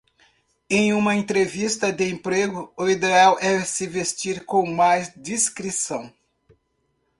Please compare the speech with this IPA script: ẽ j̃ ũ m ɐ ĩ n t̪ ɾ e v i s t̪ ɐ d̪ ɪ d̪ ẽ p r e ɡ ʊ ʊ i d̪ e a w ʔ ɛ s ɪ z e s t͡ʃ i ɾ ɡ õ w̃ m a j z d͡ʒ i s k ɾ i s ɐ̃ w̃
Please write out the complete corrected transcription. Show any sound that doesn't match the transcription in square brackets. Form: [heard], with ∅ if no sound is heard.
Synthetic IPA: ẽ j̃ ũ m ɐ [ẽ] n t̪ ɾ e v i s t̪ ɐ d̪ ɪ [∅] ẽ p [ɾ] e ɡ ʊ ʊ i d̪ e a w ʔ ɛ s ɪ [v] e s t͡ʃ i ɾ [k] õ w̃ m a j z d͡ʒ i s k ɾ i s ɐ̃ w̃